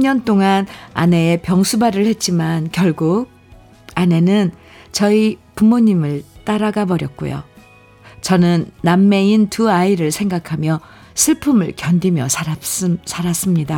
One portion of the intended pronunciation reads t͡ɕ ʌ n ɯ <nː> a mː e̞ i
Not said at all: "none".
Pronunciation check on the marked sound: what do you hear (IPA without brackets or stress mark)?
nː